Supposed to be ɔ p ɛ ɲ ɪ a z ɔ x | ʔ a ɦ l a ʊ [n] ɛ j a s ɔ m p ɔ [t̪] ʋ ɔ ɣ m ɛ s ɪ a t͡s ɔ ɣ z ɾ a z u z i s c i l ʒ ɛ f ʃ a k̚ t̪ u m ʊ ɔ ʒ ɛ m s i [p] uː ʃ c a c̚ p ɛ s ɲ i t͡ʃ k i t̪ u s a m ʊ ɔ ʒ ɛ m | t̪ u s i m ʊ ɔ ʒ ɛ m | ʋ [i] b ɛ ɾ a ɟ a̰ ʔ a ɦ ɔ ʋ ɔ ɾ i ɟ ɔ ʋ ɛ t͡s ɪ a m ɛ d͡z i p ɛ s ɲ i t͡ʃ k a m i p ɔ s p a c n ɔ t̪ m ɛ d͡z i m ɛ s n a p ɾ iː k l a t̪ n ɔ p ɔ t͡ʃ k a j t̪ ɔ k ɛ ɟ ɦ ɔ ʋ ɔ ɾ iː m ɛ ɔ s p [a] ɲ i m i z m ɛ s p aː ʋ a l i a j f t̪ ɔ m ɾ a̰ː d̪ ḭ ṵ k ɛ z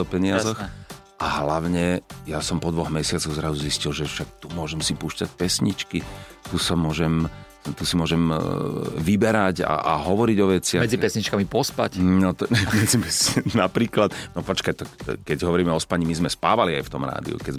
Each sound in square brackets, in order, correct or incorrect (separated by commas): incorrect, incorrect, correct, correct, correct